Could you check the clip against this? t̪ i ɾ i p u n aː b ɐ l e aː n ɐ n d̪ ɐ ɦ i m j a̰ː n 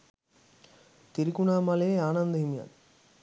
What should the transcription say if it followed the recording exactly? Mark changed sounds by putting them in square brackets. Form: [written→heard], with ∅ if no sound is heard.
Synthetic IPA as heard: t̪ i ɾ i [p→k] u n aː [b→m] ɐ l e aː n ɐ n d̪ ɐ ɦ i m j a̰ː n